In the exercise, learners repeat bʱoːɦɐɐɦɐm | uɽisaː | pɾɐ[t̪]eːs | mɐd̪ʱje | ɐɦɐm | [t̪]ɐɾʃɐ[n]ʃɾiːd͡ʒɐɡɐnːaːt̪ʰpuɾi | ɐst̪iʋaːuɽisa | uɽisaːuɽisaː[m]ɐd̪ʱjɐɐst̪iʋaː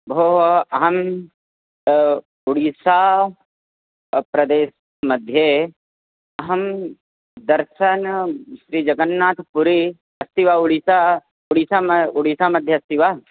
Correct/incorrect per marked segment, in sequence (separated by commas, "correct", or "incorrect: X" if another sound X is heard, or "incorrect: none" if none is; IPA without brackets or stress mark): incorrect: d̪, incorrect: d̪, correct, correct